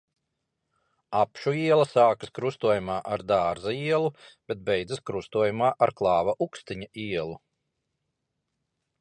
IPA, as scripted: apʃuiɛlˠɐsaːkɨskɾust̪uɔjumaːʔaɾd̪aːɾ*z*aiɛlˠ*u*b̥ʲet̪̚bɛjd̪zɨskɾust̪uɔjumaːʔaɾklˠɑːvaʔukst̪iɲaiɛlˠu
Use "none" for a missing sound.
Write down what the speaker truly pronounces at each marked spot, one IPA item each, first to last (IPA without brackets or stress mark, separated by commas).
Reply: z, u